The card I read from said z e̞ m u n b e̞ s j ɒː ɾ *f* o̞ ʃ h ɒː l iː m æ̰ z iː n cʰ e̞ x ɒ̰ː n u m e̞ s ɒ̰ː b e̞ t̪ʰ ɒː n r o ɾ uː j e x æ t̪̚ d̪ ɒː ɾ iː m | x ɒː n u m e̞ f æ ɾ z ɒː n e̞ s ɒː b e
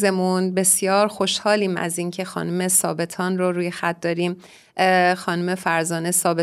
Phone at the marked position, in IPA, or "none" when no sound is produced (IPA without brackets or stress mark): x